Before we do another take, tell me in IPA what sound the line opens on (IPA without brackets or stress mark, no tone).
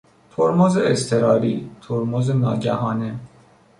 t̪ʰ